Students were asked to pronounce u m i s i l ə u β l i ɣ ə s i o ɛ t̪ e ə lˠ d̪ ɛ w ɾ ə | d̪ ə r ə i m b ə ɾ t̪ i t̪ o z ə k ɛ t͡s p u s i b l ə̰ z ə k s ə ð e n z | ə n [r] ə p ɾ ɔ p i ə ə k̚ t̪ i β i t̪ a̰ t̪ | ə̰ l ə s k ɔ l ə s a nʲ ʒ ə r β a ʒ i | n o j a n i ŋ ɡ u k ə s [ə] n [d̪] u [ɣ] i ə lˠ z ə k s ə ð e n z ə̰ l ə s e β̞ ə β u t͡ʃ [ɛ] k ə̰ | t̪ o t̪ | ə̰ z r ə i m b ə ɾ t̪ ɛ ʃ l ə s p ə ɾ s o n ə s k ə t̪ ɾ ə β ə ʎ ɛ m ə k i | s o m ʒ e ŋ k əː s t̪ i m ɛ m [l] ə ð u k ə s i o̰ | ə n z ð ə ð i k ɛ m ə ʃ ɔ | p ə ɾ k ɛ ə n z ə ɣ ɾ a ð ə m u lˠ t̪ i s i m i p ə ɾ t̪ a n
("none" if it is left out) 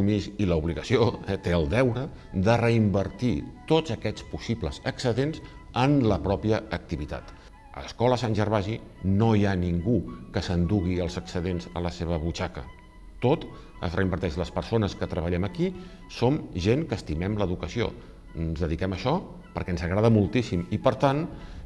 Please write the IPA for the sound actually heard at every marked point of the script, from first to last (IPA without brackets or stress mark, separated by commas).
l, ə, d̪, ɣ, a, l